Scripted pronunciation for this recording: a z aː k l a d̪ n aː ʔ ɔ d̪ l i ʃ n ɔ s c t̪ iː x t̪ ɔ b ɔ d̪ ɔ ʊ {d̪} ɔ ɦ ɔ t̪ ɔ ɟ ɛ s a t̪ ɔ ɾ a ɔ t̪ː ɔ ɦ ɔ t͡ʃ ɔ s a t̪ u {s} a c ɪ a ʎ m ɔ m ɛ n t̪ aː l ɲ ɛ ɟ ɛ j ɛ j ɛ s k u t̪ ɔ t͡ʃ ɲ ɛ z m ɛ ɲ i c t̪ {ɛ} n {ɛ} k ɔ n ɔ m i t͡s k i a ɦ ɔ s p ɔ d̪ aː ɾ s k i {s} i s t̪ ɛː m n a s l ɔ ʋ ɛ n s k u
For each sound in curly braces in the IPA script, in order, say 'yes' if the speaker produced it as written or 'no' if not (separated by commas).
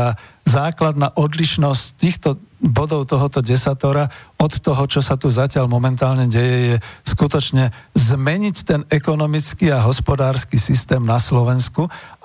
no, no, yes, yes, yes